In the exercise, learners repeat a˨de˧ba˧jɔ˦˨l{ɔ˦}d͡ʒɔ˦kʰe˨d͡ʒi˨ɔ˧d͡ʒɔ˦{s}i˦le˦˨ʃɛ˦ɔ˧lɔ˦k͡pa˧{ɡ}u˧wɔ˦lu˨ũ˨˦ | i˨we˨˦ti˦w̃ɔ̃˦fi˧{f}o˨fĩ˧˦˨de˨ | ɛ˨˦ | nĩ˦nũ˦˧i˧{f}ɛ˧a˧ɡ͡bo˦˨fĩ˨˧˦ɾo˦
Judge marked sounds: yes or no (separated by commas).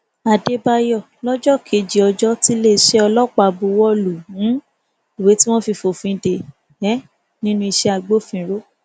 yes, no, no, yes, no